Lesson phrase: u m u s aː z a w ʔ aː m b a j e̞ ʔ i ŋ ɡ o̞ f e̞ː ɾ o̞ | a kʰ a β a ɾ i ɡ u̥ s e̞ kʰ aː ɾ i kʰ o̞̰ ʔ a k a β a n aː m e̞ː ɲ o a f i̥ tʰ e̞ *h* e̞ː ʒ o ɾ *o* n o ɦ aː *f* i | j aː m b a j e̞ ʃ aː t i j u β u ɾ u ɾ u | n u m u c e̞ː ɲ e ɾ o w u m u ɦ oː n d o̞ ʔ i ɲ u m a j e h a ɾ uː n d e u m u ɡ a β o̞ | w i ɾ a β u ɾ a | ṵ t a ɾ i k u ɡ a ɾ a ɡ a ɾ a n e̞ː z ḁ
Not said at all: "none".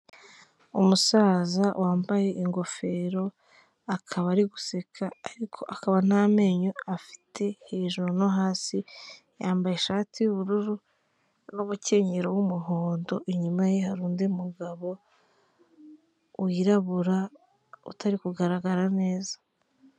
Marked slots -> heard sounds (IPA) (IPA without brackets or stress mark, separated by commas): h, o, s